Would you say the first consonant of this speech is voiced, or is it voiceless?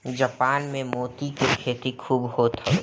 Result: voiced